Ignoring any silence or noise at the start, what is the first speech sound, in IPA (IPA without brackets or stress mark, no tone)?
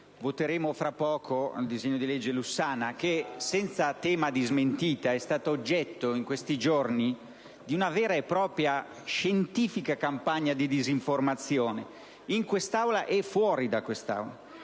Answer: v